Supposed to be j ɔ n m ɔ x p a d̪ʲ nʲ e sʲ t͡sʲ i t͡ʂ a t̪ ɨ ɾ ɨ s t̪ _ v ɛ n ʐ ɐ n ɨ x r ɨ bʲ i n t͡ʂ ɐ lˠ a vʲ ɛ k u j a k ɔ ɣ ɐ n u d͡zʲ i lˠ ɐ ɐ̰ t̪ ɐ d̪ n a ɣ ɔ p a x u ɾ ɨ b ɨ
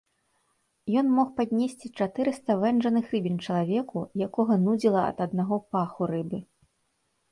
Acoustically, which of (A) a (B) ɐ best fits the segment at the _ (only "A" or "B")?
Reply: B